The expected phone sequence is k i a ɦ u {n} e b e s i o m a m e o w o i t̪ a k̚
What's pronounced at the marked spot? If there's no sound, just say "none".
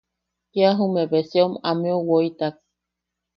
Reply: m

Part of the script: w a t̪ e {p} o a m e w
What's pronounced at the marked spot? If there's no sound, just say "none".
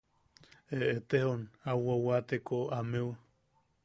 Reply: k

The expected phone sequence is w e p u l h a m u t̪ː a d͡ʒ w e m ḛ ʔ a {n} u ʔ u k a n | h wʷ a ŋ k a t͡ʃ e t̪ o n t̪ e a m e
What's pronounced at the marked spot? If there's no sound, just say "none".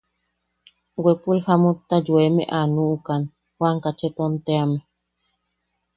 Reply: n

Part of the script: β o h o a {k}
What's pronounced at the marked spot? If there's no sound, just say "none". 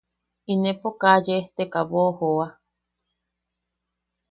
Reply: none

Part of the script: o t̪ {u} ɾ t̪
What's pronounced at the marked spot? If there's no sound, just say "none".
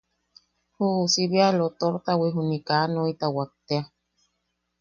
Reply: o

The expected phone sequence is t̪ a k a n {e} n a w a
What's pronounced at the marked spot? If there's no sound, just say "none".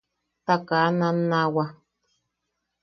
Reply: a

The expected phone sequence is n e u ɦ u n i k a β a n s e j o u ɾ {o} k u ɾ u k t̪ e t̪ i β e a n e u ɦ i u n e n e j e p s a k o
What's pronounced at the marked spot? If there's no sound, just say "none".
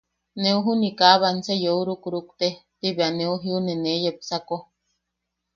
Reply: u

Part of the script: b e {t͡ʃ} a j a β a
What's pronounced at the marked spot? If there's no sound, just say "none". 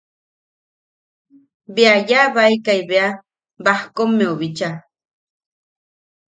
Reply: none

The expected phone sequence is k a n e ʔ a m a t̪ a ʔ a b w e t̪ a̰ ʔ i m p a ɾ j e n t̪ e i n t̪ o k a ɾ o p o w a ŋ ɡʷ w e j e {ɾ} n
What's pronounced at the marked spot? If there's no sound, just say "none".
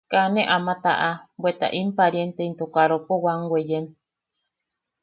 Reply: none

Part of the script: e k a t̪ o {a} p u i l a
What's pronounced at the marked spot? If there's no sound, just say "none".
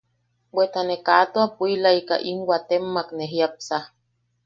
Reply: a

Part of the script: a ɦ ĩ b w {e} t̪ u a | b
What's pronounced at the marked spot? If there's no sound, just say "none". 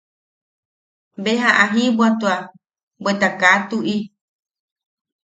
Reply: a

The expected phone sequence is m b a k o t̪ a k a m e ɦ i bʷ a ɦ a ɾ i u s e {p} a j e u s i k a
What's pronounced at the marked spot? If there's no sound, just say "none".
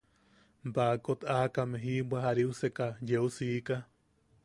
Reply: k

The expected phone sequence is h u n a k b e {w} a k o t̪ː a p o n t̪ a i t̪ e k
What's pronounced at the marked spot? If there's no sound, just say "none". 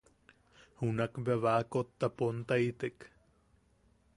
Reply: β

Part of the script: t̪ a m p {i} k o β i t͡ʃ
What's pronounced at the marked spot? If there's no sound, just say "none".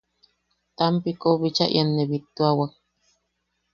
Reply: i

